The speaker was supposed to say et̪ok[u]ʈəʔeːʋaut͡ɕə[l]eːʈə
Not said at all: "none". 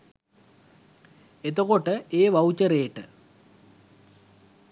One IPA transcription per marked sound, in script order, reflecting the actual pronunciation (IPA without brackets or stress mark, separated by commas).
o, ɾ